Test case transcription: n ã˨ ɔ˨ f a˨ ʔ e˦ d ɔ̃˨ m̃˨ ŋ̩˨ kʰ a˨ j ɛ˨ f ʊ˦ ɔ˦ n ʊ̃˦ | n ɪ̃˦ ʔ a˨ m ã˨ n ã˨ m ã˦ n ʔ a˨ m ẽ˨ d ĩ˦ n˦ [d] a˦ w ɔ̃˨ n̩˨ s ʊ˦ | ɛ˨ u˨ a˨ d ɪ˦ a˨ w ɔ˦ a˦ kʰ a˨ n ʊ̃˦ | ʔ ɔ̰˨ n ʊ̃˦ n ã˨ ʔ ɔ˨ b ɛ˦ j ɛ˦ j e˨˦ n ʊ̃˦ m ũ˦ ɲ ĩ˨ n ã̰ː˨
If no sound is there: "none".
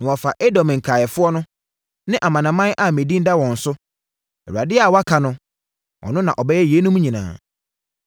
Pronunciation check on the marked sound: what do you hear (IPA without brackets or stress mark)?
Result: d